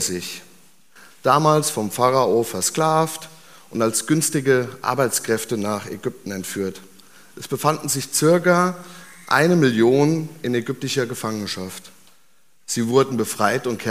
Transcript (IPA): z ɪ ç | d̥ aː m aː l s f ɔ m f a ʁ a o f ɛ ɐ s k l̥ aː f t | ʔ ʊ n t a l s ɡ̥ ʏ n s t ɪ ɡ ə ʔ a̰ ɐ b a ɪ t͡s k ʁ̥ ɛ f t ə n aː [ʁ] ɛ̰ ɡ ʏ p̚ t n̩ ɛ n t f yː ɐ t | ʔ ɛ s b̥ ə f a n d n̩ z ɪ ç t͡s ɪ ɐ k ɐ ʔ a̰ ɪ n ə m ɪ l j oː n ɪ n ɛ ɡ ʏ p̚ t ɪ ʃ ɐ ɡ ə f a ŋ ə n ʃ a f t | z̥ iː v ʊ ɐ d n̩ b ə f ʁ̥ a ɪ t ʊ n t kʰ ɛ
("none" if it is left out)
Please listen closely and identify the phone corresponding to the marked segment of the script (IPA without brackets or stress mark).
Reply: χ